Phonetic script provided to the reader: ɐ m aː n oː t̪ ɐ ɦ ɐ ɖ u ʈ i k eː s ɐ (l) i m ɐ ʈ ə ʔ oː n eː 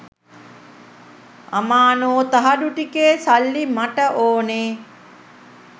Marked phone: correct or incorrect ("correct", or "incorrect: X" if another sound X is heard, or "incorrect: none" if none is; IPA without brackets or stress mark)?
incorrect: lː